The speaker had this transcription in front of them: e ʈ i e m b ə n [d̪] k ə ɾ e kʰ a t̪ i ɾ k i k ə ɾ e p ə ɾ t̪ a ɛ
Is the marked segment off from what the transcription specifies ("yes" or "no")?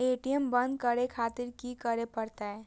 no